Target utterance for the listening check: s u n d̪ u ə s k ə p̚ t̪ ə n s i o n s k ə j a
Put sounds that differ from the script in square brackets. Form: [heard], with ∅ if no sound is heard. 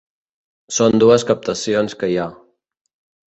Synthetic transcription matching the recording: s [o] n d̪ u ə s k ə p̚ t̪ ə [∅] s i o n s k ə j a